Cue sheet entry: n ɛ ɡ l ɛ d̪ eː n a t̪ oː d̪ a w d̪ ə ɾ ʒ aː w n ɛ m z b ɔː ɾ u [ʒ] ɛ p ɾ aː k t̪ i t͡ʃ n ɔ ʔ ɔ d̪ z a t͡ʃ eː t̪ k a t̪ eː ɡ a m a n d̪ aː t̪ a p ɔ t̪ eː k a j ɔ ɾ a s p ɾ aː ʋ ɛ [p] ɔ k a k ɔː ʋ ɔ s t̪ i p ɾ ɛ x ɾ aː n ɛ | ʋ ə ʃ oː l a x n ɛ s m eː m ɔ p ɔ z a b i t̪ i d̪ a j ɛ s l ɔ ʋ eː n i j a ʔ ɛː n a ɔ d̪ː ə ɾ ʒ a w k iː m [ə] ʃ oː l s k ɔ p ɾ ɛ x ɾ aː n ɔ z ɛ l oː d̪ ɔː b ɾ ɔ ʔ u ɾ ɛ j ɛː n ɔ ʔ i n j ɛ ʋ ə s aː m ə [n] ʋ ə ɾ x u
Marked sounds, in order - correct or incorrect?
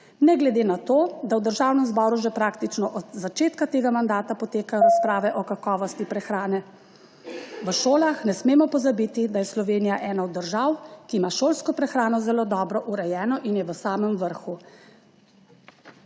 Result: correct, incorrect: ʔ, incorrect: a, incorrect: m

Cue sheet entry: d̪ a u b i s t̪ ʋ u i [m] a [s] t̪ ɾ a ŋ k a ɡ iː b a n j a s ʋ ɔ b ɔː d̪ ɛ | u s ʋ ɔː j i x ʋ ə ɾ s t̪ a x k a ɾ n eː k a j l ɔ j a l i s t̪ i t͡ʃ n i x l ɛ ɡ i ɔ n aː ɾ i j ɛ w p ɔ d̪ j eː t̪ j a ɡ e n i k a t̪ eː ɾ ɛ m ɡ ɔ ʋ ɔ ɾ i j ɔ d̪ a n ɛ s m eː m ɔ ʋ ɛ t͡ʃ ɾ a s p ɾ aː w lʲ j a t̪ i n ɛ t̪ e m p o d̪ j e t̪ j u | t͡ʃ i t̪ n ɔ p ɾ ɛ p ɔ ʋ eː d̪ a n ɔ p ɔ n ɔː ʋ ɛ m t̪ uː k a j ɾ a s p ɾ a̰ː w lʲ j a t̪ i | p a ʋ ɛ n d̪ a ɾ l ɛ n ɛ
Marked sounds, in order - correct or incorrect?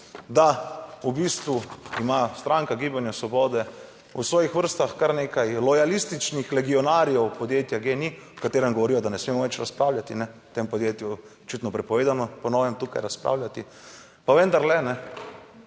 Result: correct, correct

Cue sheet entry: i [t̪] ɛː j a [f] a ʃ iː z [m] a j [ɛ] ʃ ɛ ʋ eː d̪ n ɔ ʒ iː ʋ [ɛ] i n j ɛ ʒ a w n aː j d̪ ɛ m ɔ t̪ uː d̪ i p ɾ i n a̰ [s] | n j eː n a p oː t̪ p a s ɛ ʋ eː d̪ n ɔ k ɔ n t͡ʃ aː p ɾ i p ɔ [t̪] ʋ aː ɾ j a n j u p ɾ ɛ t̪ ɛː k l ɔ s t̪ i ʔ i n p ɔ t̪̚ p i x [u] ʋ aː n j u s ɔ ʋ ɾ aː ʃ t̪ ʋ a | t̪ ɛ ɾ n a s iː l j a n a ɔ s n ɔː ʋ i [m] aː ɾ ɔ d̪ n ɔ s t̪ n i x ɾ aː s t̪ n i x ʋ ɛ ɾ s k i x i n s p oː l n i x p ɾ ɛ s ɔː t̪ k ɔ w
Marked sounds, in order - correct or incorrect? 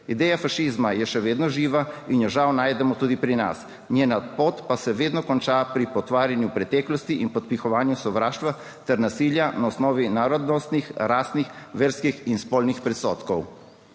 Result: incorrect: d̪, correct, correct, correct, incorrect: a, correct, correct, incorrect: ɔ, incorrect: n

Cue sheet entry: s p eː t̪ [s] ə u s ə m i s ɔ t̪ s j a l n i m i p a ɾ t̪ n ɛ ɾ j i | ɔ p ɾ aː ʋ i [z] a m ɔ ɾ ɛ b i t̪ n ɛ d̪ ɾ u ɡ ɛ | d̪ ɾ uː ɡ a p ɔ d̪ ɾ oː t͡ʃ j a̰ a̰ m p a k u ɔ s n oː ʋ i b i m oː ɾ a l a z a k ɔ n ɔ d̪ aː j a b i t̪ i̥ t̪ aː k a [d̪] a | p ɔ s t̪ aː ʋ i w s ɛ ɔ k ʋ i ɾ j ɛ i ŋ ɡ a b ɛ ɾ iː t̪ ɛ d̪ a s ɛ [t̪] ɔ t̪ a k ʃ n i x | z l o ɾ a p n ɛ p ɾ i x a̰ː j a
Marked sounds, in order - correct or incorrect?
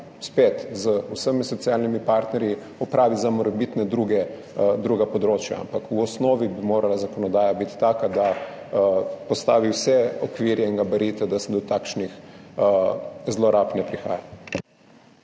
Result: incorrect: z, correct, correct, incorrect: d̪

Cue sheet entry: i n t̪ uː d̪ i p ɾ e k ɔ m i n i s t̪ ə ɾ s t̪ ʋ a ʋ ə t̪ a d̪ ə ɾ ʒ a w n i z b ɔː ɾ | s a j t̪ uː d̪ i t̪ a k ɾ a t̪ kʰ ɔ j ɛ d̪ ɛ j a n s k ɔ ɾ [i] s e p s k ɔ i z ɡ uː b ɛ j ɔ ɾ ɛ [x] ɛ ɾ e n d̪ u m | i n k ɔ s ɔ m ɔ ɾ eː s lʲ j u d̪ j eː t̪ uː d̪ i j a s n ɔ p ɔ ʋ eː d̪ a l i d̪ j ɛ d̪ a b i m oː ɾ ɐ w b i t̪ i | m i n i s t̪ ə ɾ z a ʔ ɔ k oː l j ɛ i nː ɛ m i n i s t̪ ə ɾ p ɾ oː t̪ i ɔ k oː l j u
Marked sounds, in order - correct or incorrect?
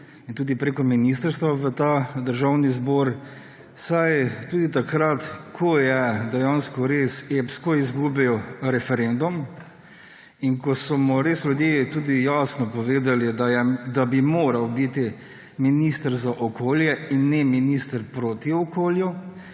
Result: incorrect: e, incorrect: f

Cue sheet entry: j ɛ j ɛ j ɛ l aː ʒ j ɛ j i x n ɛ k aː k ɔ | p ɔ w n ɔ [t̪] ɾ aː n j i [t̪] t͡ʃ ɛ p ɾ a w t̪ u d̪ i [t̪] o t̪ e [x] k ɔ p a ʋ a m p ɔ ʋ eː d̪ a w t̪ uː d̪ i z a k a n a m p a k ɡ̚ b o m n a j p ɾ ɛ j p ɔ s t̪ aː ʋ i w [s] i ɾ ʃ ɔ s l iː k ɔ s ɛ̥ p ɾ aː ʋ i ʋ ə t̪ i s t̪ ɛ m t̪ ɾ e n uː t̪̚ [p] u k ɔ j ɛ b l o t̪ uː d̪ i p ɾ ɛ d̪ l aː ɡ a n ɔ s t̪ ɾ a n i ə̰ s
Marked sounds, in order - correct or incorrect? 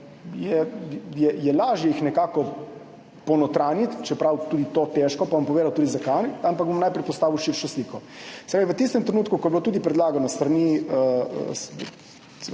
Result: correct, correct, correct, incorrect: ʃ, incorrect: ʃ, incorrect: k

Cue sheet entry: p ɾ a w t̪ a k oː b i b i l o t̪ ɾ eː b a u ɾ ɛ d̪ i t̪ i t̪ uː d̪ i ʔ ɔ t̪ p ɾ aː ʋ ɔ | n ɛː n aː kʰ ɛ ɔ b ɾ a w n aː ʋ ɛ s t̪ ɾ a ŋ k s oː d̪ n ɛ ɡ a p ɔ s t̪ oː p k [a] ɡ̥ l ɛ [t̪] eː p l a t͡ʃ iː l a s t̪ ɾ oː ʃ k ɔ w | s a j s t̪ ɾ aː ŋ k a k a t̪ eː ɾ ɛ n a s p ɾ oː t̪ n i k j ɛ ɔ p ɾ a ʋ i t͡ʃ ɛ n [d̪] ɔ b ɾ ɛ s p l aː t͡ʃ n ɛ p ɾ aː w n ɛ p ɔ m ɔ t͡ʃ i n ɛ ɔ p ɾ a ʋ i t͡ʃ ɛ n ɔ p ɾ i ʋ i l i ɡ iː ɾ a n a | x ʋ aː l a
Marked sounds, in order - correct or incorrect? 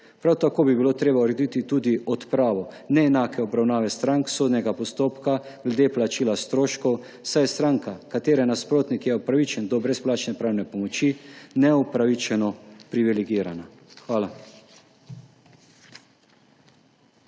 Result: correct, incorrect: d̪, correct

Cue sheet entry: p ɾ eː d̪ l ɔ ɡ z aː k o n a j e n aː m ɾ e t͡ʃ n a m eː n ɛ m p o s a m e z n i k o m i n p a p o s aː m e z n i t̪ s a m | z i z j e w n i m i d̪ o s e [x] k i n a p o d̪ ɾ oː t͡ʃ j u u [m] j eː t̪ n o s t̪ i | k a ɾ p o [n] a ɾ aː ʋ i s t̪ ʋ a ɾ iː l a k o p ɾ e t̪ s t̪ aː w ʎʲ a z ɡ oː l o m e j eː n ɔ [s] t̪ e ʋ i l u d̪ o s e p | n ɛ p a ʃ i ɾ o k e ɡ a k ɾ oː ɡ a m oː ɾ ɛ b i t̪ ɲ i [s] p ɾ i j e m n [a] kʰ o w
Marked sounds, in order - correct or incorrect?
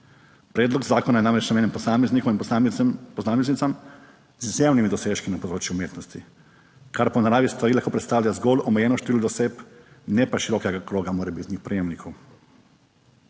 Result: incorrect: ʃ, correct, correct, incorrect: ʃ, incorrect: x, incorrect: i

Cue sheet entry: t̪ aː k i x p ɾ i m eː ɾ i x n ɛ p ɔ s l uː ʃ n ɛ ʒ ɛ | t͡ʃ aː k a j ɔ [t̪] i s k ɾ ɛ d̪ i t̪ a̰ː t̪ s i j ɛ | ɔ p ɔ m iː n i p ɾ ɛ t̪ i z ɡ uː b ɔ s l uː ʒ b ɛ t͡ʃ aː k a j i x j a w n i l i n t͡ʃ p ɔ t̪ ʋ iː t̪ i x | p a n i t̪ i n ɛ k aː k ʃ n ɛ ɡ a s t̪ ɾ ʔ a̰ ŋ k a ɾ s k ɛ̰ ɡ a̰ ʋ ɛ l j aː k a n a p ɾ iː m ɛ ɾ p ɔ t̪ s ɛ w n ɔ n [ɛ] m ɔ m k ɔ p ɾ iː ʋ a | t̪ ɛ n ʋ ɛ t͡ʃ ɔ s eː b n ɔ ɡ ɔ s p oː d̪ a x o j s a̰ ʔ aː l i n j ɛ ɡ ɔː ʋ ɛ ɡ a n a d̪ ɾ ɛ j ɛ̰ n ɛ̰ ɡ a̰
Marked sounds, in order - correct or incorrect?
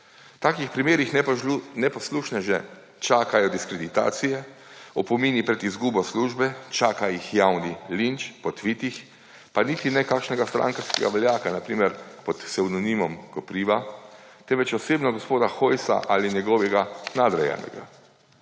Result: incorrect: d̪, incorrect: i

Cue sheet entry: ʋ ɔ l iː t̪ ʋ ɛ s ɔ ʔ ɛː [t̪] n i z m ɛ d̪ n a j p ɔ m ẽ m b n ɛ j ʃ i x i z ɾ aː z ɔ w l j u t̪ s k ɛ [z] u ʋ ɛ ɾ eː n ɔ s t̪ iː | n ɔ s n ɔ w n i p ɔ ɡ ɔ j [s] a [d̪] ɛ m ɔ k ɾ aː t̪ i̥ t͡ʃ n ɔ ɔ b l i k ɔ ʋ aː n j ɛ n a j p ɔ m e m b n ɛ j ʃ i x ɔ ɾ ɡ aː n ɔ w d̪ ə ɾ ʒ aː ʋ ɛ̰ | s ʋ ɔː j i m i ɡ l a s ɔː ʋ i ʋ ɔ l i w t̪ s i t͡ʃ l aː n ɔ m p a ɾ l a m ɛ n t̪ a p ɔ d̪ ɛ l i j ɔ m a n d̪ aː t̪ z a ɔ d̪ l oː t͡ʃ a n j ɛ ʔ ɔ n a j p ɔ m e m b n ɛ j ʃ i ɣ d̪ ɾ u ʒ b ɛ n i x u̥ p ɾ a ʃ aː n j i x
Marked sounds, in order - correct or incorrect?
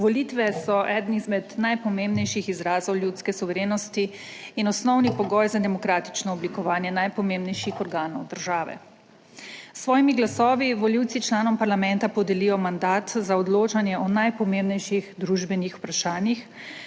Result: incorrect: d̪, incorrect: s, incorrect: z, correct

